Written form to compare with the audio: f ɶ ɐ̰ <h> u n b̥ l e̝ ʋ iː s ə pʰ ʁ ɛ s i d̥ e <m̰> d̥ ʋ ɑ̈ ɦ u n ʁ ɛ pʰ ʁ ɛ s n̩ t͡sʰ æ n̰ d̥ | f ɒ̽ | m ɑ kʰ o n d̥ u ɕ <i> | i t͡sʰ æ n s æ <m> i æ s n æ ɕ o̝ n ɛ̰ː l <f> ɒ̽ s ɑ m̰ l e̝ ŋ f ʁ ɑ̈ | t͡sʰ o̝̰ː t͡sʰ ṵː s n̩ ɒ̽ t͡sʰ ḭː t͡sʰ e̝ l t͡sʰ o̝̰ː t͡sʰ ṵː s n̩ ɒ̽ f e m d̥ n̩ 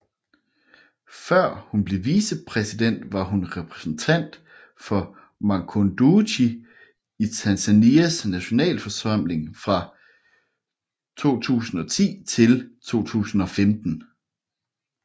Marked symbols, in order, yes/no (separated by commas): yes, no, yes, no, yes